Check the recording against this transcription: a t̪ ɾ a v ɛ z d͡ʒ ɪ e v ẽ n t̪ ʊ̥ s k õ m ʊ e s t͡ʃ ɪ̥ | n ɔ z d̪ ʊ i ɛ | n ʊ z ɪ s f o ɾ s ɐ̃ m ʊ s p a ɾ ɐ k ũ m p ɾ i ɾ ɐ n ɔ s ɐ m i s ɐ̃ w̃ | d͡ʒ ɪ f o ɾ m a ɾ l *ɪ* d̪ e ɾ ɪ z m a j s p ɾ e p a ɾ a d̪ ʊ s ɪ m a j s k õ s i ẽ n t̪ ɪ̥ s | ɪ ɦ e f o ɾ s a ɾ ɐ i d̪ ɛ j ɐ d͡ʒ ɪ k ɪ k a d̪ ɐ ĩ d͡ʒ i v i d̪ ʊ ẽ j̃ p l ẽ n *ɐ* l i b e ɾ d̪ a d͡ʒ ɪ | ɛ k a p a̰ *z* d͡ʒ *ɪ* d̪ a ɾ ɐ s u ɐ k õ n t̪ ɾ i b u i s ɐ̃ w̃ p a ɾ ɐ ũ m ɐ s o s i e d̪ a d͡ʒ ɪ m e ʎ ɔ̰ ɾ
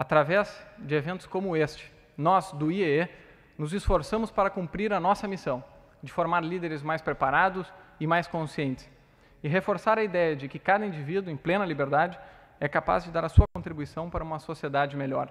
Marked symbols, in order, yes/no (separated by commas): no, yes, yes, yes